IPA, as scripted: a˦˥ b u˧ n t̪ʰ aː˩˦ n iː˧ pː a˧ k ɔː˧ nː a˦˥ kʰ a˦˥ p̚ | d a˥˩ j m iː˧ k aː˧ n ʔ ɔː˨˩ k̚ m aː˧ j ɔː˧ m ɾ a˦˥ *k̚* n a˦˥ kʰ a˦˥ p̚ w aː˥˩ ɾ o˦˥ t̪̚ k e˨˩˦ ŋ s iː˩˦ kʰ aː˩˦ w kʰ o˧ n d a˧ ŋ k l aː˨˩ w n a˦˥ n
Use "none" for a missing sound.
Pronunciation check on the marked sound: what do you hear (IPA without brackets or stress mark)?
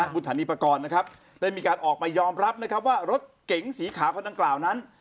p̚